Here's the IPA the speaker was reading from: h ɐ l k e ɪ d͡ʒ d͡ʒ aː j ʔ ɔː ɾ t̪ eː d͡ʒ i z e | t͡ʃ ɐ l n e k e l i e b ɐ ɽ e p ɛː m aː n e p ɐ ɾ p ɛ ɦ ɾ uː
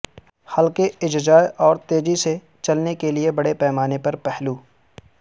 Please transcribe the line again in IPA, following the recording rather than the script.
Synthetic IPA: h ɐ l k e ɪ d͡ʒ d͡ʒ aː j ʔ ɔː ɾ t̪ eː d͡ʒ i s e | t͡ʃ ɐ l n e k e l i e b ɐ ɽ e p ɛː m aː n e p ɐ ɾ p ɛ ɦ l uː